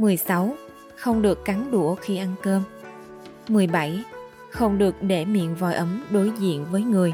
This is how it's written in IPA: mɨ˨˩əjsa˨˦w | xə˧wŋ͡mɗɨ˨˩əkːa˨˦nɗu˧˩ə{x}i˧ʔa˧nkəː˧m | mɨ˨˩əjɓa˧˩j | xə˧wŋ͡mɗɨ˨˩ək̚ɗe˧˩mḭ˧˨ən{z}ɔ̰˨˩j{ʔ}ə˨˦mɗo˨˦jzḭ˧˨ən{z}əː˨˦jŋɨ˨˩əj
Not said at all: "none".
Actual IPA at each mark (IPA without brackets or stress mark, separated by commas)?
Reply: x, v, ʔ, v